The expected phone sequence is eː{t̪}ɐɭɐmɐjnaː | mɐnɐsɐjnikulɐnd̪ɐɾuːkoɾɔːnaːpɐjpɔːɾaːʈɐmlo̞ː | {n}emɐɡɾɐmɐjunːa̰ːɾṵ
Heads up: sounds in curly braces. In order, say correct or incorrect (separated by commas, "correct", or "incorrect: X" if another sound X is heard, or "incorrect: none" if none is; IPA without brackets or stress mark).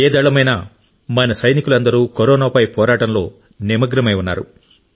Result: incorrect: d̪, correct